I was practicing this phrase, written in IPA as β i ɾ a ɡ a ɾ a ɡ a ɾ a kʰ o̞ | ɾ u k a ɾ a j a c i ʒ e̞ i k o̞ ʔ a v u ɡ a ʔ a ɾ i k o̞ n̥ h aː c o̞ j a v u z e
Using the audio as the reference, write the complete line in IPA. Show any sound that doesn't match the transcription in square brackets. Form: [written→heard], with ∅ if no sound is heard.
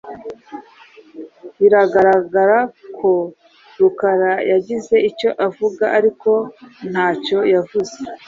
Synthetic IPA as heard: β i ɾ a ɡ a ɾ a ɡ a ɾ a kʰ o̞ | ɾ u k a ɾ a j a [c→ɟ] i [ʒ→z] e̞ i [k→c] o̞ ʔ a v u ɡ a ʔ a ɾ i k o̞ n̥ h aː c o̞ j a v u z e